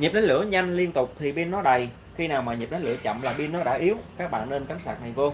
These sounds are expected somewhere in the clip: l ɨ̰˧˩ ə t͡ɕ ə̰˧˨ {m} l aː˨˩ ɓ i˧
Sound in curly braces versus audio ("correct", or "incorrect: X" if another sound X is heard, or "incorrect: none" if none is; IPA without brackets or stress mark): correct